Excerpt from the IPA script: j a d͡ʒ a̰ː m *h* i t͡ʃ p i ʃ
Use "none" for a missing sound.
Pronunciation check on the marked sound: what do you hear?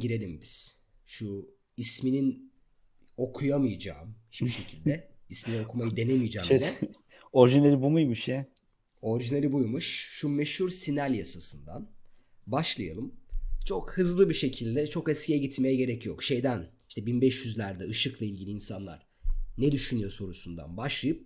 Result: h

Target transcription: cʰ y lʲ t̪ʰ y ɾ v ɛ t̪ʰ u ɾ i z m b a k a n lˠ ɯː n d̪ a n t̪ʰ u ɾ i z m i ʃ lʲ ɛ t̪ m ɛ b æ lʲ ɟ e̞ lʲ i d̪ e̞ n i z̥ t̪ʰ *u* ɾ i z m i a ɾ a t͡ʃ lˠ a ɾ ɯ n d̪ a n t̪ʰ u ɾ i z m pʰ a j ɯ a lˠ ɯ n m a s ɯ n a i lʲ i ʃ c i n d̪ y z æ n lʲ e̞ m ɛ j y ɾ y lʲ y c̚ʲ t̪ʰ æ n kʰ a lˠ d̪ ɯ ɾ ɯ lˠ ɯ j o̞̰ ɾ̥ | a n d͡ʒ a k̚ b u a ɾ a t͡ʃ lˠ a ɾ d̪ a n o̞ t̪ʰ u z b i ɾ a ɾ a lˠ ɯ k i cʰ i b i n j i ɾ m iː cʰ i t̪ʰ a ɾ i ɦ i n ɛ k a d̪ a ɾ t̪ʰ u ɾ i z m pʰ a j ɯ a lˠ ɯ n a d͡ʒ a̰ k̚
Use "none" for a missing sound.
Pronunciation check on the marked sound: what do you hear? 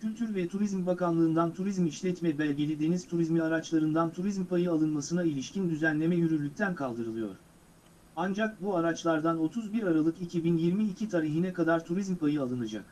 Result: u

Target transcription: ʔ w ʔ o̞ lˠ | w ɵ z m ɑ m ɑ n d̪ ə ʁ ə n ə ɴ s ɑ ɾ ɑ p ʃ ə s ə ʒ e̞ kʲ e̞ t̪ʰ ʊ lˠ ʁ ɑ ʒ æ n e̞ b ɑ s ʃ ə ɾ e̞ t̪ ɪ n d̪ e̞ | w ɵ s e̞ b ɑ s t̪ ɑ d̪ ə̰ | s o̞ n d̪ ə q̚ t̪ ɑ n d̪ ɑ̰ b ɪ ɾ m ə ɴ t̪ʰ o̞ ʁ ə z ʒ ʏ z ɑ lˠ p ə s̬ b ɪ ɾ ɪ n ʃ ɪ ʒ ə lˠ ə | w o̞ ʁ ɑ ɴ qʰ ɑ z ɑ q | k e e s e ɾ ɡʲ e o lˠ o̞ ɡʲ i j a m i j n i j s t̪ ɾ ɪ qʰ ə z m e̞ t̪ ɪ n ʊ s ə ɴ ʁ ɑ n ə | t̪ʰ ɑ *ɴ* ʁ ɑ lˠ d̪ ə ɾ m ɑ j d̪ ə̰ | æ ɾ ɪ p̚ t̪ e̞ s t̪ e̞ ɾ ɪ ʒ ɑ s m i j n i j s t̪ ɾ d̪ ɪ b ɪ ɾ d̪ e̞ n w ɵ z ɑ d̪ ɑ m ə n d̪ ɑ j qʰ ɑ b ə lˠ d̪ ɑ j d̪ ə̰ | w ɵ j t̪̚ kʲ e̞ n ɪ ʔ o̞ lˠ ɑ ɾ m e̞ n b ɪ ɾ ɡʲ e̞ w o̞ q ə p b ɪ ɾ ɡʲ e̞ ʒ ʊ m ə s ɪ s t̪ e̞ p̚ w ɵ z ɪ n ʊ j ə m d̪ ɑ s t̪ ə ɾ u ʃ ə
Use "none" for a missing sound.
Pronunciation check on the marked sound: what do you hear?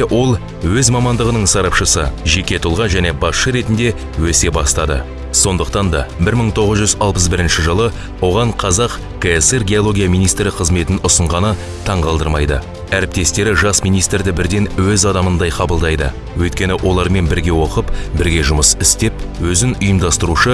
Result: ɴ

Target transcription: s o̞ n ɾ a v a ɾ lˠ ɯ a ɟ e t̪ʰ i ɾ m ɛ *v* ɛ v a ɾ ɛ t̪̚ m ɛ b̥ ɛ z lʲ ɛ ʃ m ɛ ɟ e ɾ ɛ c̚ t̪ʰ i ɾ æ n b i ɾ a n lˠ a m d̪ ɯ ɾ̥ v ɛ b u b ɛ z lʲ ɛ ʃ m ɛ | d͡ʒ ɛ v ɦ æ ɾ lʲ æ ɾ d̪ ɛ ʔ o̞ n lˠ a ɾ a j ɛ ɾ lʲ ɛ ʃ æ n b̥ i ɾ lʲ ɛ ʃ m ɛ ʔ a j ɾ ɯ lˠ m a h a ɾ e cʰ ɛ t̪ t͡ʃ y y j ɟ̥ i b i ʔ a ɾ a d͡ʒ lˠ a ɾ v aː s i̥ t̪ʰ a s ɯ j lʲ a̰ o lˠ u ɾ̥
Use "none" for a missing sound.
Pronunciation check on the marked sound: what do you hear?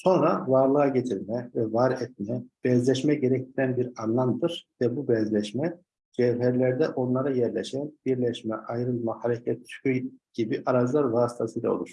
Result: v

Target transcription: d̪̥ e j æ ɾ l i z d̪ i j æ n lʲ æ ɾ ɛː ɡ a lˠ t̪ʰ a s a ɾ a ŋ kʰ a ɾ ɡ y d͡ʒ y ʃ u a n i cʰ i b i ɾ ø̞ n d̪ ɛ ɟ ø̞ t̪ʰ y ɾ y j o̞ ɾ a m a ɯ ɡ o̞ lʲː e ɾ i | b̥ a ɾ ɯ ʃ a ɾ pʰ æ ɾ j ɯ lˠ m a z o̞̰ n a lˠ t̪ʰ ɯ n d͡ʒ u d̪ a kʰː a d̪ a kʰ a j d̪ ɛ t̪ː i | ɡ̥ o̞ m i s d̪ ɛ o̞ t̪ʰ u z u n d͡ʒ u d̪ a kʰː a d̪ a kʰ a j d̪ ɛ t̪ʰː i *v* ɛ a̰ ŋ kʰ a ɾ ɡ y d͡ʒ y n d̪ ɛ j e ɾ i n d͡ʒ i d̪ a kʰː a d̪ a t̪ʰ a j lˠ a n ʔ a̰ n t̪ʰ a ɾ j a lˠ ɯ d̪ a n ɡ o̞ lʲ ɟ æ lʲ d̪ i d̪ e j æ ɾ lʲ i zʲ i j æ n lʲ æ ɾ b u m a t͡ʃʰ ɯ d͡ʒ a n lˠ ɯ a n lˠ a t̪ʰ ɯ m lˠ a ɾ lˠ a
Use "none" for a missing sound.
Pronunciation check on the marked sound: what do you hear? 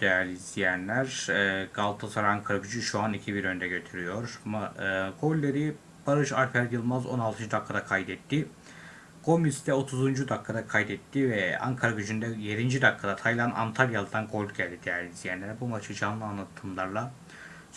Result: v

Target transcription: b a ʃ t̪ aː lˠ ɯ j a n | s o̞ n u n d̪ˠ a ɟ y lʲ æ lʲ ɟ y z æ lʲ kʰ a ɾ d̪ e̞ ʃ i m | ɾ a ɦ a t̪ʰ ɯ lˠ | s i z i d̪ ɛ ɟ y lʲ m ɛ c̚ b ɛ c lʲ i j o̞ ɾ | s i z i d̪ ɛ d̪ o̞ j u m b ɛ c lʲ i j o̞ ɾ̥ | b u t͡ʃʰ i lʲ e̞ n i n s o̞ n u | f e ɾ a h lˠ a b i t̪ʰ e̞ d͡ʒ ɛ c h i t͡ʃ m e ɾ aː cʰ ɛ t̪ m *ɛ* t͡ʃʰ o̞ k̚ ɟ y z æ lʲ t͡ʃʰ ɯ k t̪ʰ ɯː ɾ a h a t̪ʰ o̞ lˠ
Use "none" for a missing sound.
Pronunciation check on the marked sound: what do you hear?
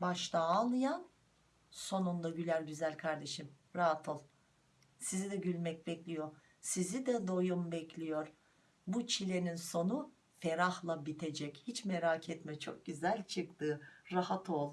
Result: ɛ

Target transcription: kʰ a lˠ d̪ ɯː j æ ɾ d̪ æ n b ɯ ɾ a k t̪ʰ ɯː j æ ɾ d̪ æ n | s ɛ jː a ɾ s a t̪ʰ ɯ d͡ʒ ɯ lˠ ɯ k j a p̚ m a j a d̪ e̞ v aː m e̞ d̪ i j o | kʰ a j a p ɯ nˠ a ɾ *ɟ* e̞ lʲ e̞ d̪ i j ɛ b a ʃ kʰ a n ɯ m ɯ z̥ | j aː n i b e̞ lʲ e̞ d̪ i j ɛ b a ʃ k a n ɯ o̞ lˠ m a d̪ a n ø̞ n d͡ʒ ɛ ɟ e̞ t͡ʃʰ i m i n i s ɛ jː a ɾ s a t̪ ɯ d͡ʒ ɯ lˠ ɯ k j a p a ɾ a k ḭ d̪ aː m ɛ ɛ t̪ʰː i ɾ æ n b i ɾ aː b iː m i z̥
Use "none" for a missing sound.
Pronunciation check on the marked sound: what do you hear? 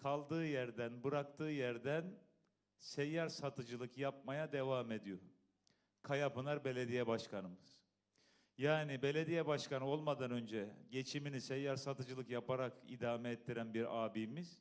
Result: b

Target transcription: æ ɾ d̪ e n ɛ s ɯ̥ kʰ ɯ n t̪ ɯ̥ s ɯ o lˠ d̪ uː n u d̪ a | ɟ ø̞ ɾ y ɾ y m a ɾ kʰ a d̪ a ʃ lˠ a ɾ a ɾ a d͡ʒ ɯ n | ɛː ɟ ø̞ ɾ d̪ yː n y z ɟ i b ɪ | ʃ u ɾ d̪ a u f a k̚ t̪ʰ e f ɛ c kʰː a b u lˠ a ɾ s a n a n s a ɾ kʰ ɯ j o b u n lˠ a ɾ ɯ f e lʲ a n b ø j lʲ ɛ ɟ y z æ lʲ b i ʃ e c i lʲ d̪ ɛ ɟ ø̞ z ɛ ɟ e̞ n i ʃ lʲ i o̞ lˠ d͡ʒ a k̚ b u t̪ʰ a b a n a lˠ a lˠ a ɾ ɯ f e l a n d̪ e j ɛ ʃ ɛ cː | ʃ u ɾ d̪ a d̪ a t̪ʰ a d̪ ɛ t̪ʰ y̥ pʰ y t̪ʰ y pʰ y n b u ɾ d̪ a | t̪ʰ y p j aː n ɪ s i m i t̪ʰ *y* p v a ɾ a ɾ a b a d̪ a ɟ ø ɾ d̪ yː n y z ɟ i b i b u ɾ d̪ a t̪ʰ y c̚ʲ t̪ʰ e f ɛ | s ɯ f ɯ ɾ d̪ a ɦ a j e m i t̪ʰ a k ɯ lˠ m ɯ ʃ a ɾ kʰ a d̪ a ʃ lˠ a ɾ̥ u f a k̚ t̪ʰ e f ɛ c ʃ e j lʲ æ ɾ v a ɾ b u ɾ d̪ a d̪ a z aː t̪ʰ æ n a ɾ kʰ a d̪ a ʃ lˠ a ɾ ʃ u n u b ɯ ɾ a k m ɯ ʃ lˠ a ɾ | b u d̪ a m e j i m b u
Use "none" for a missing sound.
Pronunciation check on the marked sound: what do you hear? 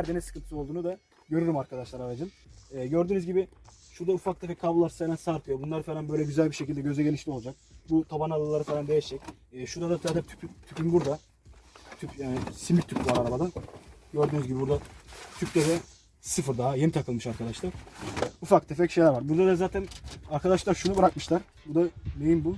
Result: y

